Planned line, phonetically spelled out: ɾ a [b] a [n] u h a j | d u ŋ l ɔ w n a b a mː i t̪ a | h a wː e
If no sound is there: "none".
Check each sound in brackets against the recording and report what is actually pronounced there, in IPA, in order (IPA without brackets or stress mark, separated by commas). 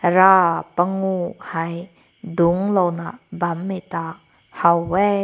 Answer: p, ŋ